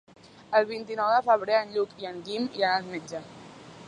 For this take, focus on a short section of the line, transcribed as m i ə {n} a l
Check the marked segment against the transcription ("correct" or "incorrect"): correct